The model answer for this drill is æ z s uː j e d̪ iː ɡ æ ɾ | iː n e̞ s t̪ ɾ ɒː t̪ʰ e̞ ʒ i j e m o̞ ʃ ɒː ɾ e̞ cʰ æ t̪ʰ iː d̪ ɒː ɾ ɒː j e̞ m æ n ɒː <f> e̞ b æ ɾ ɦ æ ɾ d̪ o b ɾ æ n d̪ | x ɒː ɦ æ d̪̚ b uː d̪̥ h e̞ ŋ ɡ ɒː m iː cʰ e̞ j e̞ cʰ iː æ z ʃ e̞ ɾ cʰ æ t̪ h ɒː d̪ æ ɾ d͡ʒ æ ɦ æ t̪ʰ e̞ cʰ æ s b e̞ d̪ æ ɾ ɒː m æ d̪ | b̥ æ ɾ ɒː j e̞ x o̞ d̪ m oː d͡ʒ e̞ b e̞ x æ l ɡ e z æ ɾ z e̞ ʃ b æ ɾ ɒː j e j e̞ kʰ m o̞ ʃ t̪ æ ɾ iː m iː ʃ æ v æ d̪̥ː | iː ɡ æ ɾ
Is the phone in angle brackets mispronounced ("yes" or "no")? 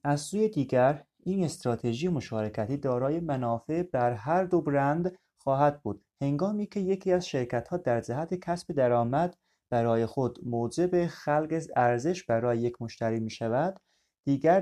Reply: no